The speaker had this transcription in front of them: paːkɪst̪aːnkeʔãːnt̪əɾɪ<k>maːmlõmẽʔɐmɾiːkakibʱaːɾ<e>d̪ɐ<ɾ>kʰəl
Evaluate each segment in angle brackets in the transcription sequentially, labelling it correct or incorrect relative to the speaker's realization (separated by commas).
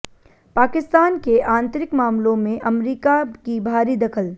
correct, incorrect, incorrect